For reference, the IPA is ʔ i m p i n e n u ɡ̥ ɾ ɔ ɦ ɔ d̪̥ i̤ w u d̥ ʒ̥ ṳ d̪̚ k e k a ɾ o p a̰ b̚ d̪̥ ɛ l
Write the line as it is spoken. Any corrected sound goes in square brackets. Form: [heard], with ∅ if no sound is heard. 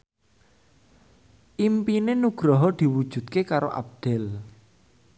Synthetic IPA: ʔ i m p i n e n u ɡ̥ ɾ ɔ ɦ ɔ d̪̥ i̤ w u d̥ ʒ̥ ṳ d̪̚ k e k a ɾ o [ʔ] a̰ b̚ d̪̥ ɛ l